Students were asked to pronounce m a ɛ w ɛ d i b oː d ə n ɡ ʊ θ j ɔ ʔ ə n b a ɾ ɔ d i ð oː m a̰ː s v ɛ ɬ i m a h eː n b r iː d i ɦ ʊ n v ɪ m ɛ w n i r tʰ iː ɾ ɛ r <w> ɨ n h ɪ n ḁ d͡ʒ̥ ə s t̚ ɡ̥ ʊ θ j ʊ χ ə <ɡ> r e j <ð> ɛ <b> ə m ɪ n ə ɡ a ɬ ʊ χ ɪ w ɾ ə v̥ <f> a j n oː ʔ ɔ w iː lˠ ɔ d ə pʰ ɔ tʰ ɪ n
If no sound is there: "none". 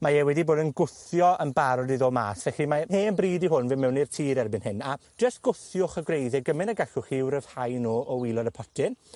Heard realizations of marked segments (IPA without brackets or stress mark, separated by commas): b, ɡ, ð, ɡ, h